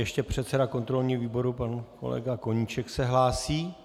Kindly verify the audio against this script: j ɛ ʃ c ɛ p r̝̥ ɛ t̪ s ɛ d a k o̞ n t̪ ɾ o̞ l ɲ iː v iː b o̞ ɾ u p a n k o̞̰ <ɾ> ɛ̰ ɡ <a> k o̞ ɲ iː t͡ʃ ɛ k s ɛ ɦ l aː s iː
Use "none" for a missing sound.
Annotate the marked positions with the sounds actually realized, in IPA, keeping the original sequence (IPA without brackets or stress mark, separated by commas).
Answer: l, a